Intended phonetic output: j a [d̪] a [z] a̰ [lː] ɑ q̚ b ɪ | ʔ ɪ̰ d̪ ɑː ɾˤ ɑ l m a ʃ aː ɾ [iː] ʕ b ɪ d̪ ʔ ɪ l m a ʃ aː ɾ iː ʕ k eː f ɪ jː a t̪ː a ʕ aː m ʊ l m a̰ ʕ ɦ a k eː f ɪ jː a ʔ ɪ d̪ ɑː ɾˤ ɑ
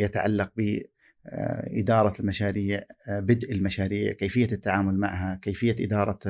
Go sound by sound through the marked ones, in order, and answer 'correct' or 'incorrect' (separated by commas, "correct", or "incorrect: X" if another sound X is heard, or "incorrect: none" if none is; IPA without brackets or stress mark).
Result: incorrect: t̪, incorrect: ʕ, correct, correct